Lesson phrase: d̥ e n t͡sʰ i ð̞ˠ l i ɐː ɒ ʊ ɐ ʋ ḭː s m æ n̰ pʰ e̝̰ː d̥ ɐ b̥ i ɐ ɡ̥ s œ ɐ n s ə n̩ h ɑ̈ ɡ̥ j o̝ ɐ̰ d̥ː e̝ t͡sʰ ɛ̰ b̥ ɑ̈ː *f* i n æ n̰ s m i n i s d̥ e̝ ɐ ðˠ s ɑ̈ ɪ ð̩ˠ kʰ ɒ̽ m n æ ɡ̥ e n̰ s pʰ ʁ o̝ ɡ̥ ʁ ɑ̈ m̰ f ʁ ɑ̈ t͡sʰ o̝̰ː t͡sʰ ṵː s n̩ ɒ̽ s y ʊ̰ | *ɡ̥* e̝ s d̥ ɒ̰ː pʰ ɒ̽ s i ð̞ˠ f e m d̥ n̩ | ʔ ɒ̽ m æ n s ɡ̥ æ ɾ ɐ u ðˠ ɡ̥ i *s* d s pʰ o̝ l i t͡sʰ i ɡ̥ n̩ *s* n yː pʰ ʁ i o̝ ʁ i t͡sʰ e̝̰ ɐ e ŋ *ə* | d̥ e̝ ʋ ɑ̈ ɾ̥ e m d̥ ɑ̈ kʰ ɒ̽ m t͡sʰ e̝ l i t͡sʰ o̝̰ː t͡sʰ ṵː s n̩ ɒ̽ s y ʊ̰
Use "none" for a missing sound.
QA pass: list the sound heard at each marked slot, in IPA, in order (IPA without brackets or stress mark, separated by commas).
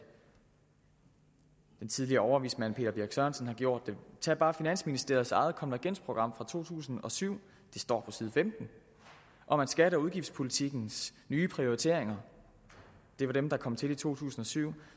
f, d̥, f, s, ɐ